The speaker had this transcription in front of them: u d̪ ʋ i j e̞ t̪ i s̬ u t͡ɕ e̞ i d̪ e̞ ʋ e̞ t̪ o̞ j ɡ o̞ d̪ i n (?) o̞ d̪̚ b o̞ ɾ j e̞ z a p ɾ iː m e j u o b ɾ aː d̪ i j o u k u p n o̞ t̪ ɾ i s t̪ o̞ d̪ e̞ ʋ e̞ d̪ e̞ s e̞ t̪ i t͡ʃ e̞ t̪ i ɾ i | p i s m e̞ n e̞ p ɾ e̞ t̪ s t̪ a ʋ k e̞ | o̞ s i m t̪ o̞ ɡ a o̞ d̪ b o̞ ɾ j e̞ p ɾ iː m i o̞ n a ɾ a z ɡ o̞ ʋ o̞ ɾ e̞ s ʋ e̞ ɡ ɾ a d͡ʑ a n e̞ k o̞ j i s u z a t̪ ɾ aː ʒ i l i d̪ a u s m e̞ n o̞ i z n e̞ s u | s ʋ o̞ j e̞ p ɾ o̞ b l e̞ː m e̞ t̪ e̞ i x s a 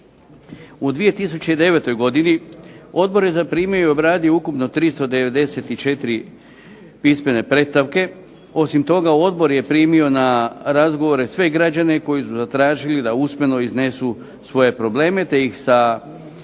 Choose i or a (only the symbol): i